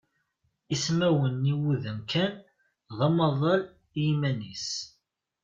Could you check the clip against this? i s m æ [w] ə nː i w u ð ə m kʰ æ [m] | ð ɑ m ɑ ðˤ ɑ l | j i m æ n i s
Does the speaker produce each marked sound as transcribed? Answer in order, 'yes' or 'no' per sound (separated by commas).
yes, no